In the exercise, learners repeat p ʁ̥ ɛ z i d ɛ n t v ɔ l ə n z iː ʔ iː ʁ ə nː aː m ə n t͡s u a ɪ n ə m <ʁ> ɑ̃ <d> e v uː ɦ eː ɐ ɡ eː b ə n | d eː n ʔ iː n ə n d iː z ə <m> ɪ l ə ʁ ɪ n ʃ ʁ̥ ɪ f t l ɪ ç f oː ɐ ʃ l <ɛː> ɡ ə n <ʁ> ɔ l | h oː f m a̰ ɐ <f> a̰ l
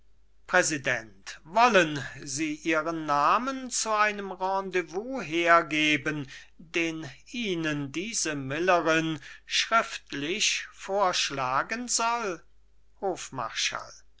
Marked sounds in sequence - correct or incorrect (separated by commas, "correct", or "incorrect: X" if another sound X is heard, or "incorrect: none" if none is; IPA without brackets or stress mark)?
correct, correct, correct, incorrect: aː, incorrect: z, incorrect: ʃ